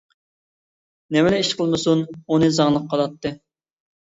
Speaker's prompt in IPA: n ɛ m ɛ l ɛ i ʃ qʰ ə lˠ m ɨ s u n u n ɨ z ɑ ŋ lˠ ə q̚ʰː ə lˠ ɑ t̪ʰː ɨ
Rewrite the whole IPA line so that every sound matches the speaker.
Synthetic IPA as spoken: n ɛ m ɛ l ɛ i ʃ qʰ ə lˠ m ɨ s u n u n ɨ z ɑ ŋ lˠ ə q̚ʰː ɑ lˠ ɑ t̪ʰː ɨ